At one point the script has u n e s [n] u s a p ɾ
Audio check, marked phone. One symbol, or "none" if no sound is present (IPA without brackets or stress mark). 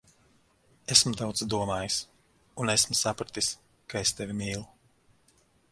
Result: m